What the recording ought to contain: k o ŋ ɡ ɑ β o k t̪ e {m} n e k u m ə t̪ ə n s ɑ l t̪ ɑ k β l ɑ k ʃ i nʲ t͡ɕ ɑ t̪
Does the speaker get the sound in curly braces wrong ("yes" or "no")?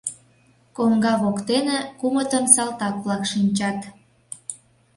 yes